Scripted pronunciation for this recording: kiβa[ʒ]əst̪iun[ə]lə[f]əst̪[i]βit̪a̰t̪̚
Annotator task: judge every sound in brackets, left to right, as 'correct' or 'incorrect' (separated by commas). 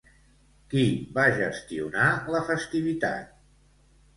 correct, incorrect, correct, correct